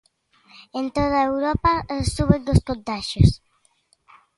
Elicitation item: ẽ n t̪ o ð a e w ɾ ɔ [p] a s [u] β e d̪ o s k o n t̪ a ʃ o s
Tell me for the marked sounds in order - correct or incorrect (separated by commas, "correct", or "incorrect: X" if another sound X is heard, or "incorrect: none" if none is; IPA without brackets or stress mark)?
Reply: correct, correct